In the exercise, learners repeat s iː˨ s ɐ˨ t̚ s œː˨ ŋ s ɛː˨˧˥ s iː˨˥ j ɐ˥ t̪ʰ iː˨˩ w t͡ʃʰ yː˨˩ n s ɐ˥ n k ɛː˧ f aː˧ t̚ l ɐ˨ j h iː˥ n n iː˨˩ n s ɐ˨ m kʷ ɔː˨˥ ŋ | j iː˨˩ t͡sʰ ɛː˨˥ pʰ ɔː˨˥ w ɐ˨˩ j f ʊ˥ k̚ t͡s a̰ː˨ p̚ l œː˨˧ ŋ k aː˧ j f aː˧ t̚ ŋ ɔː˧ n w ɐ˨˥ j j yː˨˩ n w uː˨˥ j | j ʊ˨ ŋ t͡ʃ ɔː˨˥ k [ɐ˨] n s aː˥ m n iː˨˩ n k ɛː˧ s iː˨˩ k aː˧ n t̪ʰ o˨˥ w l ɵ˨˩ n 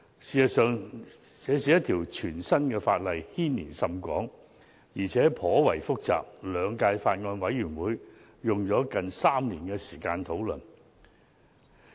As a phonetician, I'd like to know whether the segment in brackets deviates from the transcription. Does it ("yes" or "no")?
no